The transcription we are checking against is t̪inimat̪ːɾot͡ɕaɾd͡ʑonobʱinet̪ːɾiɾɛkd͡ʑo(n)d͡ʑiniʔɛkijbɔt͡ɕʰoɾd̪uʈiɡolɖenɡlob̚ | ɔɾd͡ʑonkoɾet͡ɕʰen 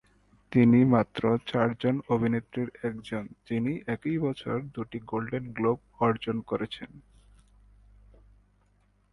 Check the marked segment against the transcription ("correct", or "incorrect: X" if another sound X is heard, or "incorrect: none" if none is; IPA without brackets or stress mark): correct